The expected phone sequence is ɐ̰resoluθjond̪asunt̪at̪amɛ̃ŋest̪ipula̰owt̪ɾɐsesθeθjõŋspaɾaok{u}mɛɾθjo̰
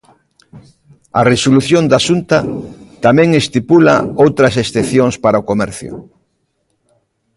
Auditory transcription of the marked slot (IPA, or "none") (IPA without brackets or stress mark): o